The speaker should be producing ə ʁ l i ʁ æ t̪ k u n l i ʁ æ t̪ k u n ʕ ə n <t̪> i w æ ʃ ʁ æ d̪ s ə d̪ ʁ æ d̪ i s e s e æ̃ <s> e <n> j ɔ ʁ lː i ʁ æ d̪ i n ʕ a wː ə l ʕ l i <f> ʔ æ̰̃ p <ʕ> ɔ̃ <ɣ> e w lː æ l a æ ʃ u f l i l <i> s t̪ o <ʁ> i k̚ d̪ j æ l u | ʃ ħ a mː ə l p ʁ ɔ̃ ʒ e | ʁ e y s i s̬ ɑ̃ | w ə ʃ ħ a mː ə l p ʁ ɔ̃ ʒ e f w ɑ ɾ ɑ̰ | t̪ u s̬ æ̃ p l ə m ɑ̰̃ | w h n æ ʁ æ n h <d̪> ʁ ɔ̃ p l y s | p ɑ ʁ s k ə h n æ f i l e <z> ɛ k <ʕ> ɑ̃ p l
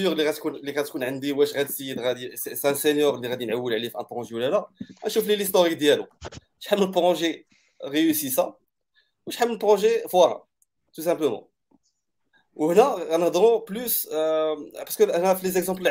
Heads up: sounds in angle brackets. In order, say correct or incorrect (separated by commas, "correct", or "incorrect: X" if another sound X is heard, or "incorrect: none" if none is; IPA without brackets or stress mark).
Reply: incorrect: d̪, correct, correct, correct, incorrect: ʁ, incorrect: ʒ, correct, correct, correct, correct, incorrect: z